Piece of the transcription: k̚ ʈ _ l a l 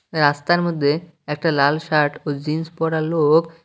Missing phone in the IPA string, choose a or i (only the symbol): a